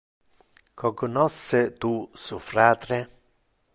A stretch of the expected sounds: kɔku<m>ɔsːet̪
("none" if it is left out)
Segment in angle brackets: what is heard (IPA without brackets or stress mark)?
n